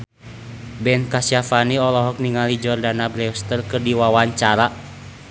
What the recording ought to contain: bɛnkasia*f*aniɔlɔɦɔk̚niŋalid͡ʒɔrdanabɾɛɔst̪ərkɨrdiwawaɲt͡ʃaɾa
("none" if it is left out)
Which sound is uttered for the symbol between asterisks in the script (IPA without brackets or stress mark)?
f